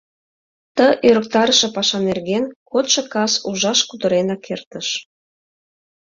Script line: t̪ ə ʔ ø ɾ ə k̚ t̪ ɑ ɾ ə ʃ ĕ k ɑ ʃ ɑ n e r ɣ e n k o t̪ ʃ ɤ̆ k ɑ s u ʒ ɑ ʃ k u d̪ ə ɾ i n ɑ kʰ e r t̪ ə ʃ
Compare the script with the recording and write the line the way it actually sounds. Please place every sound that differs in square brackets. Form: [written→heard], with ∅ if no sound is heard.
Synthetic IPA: t̪ ə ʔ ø ɾ ə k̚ t̪ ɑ ɾ ə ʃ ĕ [k→p] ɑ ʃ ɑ n e r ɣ e n k o t̪ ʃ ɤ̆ k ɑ s u ʒ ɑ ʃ k u d̪ ə ɾ [i→e] n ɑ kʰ e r t̪ ə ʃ